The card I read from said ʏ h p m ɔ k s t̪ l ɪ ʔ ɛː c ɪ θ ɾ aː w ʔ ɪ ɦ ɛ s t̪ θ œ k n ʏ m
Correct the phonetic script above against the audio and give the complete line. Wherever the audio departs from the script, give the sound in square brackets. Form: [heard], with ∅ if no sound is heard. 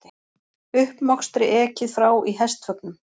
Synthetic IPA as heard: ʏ h p m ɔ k s t̪ [ɾ] ɪ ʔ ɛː c ɪ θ ɾ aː w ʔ [i] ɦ ɛ s t̪ [f] œ k n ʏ m

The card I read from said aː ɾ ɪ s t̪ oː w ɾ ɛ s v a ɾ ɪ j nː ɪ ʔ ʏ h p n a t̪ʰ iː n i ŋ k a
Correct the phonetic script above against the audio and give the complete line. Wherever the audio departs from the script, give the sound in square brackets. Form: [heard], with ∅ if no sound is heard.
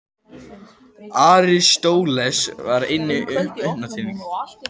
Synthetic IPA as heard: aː ɾ ɪ s t̪ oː w [l] ɛ s v a ɾ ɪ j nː ɪ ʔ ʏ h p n a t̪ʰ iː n i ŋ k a

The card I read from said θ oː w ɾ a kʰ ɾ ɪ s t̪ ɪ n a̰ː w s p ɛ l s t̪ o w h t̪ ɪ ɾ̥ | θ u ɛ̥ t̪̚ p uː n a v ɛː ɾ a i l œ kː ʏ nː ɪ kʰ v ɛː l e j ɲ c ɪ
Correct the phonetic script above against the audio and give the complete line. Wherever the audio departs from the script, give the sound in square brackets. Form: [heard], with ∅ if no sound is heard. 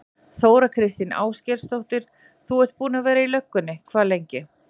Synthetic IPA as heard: θ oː w ɾ a kʰ ɾ ɪ s t̪ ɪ n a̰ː w s [c] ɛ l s t̪ o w h t̪ ɪ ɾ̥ | θ u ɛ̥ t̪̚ p uː n a v ɛː ɾ a i l œ kː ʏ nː ɪ kʰ v [aː] l e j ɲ c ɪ

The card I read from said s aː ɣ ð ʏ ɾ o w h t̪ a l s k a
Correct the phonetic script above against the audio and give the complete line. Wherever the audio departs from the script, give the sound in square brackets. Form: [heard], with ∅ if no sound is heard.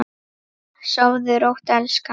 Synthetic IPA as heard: s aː [w] ð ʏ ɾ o w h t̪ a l s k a

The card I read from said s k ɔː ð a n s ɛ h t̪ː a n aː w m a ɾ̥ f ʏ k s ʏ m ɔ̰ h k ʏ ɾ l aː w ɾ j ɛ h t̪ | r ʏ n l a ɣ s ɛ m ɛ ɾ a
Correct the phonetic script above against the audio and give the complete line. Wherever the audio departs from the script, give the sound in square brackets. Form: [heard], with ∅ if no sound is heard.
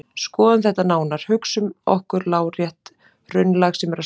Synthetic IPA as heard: s k ɔː ð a n [θ] ɛ h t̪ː a n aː w [n] a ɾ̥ [h] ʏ k s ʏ m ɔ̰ h k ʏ ɾ l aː w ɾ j ɛ h t̪ | r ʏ n l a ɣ s ɛ m ɛ ɾ a

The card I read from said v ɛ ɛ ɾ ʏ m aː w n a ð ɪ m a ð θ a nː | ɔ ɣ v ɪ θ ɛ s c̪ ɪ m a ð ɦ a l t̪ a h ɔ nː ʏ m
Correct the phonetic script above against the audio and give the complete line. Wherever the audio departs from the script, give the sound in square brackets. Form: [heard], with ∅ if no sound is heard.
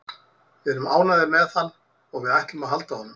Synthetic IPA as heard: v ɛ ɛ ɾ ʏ m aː w n a ð ɪ m [ɛ] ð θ a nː | ɔ ɣ v ɪ [ð] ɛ [h] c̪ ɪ m a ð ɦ a l t̪ a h ɔ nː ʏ m

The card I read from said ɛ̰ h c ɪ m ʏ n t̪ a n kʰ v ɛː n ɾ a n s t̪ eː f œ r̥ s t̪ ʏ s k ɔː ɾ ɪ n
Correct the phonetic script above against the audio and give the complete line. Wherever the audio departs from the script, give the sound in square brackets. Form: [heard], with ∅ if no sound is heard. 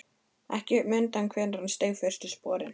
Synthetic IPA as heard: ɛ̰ h c ɪ m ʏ n t̪ a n kʰ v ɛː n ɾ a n s t̪ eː f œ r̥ s t̪ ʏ s [p] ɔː ɾ ɪ n

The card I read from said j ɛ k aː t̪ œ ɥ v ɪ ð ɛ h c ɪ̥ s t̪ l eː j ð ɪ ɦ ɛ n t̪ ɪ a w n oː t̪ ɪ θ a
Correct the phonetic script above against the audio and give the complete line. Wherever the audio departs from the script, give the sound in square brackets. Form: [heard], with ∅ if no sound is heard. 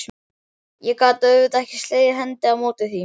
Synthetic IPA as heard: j ɛ k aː t̪ œ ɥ v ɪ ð ɛ h c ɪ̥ s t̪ l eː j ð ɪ ɦ ɛ n t̪ ɪ a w [m] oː t̪ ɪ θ [i]

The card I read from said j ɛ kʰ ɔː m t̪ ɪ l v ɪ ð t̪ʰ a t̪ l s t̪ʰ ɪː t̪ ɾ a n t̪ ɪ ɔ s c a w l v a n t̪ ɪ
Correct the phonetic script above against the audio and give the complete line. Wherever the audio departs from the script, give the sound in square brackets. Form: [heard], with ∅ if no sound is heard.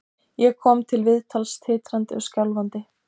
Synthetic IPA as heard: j ɛ kʰ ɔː m [t̪ʰ] ɪ l v ɪ ð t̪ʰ a [∅] l s t̪ʰ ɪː t̪ ɾ a n t̪ ɪ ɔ s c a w l v a n t̪ ɪ

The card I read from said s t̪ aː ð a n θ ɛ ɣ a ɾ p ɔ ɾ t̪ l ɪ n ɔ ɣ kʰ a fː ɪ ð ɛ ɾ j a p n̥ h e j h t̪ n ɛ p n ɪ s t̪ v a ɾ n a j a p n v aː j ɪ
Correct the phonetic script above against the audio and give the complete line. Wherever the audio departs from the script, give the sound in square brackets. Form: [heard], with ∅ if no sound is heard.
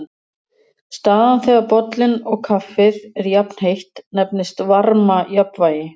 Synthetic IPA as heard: s t̪ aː ð a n θ ɛ ɣ a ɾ p ɔ [∅] t̪ l ɪ n ɔ ɣ kʰ a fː ɪ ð ɛ ɾ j a p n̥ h e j h t̪ n ɛ p n ɪ s t̪ v a ɾ [m] a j a p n v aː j ɪ

